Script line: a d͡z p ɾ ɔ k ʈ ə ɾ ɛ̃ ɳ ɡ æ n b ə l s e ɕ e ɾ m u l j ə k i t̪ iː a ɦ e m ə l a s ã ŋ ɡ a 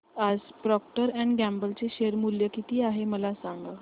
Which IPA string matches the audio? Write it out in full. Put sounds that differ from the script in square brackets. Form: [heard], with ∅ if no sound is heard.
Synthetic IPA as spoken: a d͡z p ɾ ɔ k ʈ ə ɾ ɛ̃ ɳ ɡ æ [m] b ə l [t͡s] e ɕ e ɾ m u l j ə k i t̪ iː a ɦ e m ə l a s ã ŋ ɡ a

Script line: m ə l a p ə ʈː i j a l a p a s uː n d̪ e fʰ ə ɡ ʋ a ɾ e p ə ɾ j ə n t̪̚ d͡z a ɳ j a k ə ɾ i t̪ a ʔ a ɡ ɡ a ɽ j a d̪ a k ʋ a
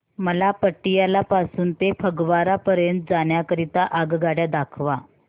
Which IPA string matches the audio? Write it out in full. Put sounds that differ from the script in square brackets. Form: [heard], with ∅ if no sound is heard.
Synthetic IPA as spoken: m ə l a p ə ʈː i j a l a p a s uː n [t̪] e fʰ ə ɡ ʋ a ɾ [a] p ə ɾ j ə n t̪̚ d͡z a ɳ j a k ə ɾ i t̪ a ʔ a ɡ ɡ a ɽ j a d̪ a [kʰ] ʋ a

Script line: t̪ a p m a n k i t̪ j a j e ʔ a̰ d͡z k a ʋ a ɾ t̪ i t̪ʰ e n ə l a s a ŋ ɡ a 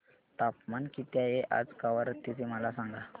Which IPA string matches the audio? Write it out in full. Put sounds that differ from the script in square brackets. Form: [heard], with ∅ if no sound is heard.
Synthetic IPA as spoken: t̪ a p m a n k i t̪ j a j e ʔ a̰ d͡z k a ʋ [ə] ɾ t̪ i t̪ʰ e [m] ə l a s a ŋ ɡ a

